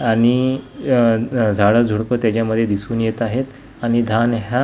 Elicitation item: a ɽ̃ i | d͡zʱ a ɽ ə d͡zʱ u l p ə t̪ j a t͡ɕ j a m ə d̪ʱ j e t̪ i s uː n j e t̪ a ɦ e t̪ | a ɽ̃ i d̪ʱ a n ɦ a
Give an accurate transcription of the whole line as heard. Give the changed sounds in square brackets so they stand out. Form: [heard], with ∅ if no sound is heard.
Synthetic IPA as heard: a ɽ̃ i | d͡zʱ a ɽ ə d͡zʱ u [ɽ] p ə t̪ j a t͡ɕ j a m ə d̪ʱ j e [d̪] i s uː n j e t̪ a ɦ e t̪ | a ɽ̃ i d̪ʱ a n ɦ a